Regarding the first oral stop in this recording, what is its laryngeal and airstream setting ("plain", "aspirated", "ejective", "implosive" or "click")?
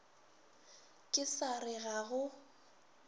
ejective